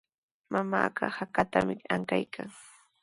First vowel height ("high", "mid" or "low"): low